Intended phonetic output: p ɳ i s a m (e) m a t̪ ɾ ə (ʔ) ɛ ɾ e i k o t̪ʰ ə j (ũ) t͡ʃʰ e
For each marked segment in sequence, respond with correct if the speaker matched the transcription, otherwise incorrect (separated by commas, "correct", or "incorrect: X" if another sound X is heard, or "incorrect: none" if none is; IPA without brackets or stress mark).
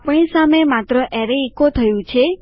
correct, correct, correct